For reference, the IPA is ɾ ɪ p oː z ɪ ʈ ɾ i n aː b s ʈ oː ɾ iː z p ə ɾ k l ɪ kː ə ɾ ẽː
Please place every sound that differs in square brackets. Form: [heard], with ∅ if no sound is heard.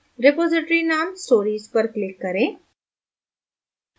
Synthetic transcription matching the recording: ɾ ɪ p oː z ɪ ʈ ɾ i n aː [m] s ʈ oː ɾ iː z p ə ɾ k l ɪ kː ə ɾ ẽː